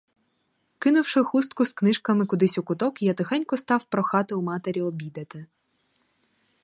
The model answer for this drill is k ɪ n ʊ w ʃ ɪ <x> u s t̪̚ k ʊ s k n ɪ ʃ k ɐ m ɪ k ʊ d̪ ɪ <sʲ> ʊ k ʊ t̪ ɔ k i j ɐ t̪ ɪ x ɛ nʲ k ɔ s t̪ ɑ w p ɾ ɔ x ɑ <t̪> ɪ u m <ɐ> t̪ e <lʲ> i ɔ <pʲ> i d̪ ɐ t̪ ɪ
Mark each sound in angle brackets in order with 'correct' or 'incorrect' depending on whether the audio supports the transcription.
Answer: correct, correct, correct, incorrect: ɑ, incorrect: ɾʲ, incorrect: bʲ

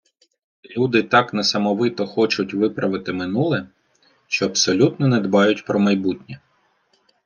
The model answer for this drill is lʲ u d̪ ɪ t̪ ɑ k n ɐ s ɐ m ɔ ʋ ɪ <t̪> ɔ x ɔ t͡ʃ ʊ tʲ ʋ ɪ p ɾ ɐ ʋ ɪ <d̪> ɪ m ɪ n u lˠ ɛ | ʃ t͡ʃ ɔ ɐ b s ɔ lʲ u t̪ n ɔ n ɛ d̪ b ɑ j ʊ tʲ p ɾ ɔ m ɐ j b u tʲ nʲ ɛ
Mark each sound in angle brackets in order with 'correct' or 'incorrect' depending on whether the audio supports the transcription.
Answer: correct, incorrect: t̪

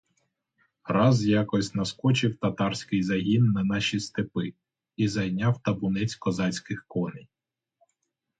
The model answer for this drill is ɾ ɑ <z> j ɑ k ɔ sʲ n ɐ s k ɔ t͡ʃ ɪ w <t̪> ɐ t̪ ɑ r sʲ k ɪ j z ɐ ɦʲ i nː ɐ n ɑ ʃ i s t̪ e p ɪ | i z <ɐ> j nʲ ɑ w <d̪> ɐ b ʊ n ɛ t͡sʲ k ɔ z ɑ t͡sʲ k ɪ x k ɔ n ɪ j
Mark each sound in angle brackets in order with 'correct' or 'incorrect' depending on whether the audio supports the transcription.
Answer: correct, correct, correct, incorrect: t̪

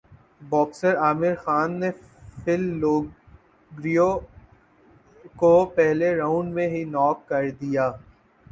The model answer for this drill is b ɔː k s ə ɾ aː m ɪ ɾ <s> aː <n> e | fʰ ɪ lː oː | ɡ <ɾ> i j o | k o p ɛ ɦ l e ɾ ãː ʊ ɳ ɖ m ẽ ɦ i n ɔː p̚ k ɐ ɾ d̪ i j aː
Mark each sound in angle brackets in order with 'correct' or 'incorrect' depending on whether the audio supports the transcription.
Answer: incorrect: x, incorrect: nː, correct

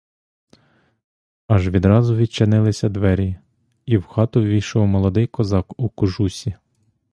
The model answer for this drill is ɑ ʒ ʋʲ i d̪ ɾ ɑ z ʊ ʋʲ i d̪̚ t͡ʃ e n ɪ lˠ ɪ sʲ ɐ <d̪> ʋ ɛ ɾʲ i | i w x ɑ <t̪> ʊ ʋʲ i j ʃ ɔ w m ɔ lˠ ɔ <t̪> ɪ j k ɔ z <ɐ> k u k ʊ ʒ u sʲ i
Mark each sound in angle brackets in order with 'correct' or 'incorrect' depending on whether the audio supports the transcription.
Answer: correct, correct, incorrect: d̪, incorrect: ɑ

